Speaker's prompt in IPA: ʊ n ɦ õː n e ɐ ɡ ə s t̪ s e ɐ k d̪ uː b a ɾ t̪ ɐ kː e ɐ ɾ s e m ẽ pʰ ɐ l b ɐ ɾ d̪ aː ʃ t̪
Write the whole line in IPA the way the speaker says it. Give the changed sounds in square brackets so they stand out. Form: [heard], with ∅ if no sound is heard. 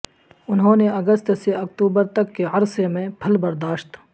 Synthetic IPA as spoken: ʊ n ɦ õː n e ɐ ɡ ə s t̪ s e ɐ k [t̪] uː b [ə] ɾ t̪ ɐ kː e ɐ ɾ s e m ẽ pʰ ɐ l b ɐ ɾ d̪ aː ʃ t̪